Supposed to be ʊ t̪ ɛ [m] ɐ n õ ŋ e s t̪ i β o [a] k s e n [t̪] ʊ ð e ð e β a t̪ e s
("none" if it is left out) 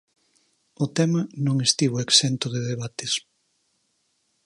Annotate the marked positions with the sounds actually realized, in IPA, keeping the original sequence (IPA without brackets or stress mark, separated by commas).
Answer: m, e, t̪